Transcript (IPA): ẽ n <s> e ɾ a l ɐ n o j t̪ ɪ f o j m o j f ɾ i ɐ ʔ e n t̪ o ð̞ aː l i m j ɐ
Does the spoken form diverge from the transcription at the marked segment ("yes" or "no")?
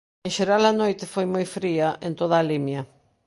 yes